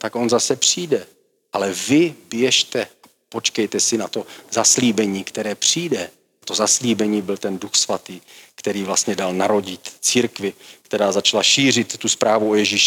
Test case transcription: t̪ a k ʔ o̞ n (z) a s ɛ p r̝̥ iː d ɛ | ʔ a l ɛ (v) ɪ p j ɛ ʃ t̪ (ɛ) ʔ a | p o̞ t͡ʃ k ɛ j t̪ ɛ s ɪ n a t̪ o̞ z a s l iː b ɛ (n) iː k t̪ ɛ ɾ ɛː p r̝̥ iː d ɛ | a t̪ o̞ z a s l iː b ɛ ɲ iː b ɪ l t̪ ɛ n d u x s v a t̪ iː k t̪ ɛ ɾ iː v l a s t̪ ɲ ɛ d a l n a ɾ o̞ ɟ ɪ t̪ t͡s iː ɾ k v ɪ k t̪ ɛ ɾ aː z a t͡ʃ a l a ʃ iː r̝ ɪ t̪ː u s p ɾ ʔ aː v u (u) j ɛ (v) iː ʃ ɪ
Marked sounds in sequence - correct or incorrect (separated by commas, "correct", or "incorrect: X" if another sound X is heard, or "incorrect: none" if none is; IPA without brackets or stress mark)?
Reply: correct, correct, correct, incorrect: ɲ, incorrect: o, incorrect: ʒ